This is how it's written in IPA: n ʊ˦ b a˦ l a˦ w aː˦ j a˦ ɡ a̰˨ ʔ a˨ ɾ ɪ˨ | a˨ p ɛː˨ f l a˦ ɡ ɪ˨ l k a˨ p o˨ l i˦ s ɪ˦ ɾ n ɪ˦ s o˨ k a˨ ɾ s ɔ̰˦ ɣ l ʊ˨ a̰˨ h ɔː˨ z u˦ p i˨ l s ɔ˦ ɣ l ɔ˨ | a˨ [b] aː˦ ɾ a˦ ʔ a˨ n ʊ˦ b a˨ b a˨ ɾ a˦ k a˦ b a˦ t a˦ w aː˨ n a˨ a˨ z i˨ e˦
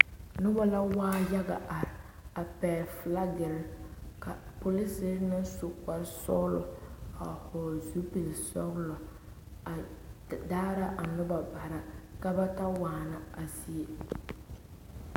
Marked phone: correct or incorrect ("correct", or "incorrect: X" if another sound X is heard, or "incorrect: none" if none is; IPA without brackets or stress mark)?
incorrect: d